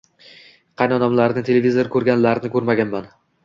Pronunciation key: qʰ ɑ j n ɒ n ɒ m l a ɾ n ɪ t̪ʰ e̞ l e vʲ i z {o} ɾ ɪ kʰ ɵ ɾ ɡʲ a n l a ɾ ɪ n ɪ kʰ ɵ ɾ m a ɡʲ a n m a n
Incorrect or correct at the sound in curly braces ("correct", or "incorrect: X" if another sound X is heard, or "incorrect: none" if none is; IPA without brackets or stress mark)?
correct